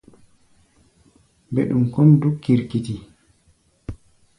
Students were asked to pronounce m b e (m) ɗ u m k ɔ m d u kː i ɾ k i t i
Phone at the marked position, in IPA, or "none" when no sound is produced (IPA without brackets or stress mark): none